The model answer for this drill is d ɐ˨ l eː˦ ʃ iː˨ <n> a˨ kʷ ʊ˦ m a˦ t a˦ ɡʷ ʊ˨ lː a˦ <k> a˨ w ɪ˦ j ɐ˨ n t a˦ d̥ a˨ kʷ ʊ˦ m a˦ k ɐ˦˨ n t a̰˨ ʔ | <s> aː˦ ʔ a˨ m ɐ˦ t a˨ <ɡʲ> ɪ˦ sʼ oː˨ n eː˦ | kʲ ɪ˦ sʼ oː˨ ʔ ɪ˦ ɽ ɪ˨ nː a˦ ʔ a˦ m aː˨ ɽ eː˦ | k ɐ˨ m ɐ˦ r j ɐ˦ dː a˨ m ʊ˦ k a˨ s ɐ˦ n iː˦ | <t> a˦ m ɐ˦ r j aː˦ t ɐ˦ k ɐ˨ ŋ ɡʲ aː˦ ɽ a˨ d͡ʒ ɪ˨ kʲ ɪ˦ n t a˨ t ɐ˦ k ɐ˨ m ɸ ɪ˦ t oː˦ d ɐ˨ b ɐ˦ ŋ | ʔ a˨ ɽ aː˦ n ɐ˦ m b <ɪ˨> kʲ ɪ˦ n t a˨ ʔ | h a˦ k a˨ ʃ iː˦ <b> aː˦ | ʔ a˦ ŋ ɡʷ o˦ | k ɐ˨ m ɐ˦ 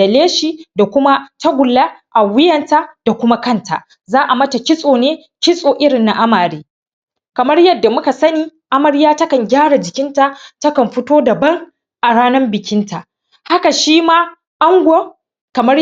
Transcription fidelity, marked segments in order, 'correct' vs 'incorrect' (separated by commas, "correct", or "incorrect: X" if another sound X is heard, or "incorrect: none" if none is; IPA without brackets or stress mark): incorrect: d, incorrect: ʔ, incorrect: z, incorrect: kʲ, incorrect: ʔ, correct, incorrect: m